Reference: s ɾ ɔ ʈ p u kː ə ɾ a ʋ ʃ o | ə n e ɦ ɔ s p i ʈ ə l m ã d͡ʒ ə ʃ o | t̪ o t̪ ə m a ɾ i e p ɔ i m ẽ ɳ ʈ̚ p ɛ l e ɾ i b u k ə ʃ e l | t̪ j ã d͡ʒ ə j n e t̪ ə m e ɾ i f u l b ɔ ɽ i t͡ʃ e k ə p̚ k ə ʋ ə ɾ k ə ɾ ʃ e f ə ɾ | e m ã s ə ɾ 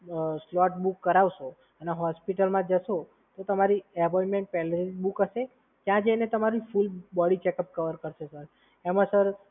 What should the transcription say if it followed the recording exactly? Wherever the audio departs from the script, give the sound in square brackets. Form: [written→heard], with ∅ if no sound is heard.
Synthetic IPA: s [ɾ→l] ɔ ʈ [p→b] u kː ə ɾ a ʋ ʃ o | ə n e ɦ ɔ s p i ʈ ə l m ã d͡ʒ ə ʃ o | t̪ o t̪ ə m a ɾ i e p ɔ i m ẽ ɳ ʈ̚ p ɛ l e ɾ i b u k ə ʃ e [l→∅] | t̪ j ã d͡ʒ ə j n e t̪ ə m [e→a] ɾ i f u l b ɔ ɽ i t͡ʃ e k ə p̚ k ə ʋ ə ɾ k ə ɾ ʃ e [f→s] ə ɾ | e m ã s ə ɾ

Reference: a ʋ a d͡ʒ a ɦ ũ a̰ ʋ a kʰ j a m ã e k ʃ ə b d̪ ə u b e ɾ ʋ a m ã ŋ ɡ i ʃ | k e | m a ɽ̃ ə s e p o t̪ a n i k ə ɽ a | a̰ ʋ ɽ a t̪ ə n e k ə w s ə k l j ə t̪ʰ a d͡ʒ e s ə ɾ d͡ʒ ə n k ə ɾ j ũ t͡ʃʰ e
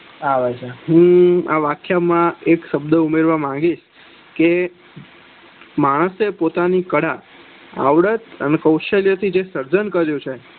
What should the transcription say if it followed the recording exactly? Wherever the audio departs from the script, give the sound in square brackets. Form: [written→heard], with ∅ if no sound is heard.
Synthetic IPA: a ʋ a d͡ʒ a ɦ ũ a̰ ʋ a kʰ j a m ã e k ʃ ə b d̪ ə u [b→m] e ɾ ʋ a m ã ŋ ɡ i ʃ | k e | m a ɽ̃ ə s e p o t̪ a n i k ə ɽ a | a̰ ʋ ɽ [a→ə] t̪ ə n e k ə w [s→ʃ] ə [k→∅] l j ə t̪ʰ [a→i] d͡ʒ e s ə ɾ d͡ʒ ə n k ə ɾ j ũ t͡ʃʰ e

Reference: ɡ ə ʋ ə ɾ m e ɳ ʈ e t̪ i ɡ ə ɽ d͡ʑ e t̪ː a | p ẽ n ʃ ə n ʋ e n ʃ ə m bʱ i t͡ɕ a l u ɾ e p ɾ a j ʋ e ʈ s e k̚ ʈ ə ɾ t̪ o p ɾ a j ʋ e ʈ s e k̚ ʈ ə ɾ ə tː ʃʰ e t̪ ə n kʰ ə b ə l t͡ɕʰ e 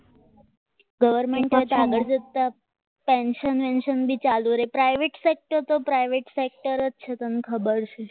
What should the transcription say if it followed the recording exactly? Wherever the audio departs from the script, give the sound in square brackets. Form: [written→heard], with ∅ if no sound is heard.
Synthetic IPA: ɡ ə ʋ ə ɾ m e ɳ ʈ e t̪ [i→a] ɡ ə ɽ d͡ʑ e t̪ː a | p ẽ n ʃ ə n ʋ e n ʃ ə [m→n] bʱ i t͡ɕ a l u ɾ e p ɾ a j ʋ e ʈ s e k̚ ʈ ə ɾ t̪ o p ɾ a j ʋ e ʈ s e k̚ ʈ ə ɾ ə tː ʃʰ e t̪ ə n kʰ ə b ə [l→ɾ] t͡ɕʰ e

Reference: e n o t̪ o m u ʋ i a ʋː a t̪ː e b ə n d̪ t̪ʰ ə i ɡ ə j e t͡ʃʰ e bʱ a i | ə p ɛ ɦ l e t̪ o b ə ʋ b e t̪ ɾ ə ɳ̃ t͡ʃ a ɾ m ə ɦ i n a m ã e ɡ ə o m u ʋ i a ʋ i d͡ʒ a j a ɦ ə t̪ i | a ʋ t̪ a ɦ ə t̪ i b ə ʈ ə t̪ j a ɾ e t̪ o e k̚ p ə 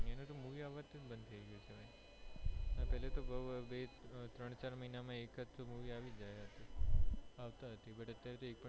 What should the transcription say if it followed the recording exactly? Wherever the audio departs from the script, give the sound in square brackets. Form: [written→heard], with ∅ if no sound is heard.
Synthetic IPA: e n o t̪ o m u ʋ i a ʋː a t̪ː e b ə n d̪ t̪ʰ ə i ɡ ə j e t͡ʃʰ e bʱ a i | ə p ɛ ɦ l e t̪ o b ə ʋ b e t̪ ɾ ə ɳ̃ t͡ʃ a ɾ m ə ɦ i n a m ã e [ɡ→k] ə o m u ʋ i a ʋ i d͡ʒ a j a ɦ ə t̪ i | a ʋ t̪ a ɦ ə t̪ i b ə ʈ ə t̪ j a ɾ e t̪ o e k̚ p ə

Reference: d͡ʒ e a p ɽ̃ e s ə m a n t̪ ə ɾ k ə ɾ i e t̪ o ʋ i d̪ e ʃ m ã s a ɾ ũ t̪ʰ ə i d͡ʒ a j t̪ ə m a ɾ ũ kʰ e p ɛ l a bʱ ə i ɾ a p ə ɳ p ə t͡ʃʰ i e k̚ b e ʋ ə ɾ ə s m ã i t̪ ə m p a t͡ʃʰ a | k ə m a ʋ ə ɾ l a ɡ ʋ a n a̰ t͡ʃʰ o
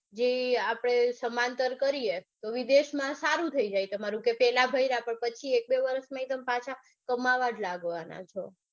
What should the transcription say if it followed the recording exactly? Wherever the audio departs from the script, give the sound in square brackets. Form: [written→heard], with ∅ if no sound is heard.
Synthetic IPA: d͡ʒ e a p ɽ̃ e s ə m a n t̪ ə ɾ k ə ɾ i e t̪ o ʋ i d̪ e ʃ m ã s a ɾ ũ t̪ʰ ə i d͡ʒ a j t̪ ə m a ɾ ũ [kʰ→k] e p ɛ l a bʱ ə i ɾ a p ə ɳ p ə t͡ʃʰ i e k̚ b e ʋ ə ɾ ə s m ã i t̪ ə m p a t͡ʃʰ a | k ə m a ʋ [ə→a] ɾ l a ɡ ʋ a n a̰ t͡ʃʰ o

